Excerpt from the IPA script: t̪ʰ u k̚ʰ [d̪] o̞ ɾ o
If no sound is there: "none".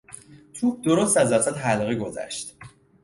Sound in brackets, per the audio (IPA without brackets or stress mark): d̪